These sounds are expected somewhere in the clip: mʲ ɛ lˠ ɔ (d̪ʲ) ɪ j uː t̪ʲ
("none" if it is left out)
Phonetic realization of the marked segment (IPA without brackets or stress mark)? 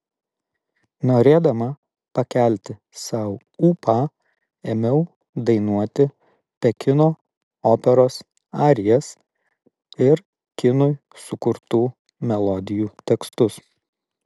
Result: d̪ʲ